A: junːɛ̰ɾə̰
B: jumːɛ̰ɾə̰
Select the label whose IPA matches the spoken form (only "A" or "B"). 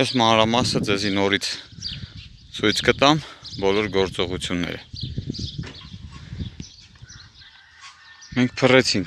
A